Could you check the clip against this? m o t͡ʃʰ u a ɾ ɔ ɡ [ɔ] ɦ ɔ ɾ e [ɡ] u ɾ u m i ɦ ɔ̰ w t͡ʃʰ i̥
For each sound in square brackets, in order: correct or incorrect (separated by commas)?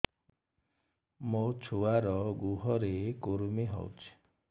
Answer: incorrect, incorrect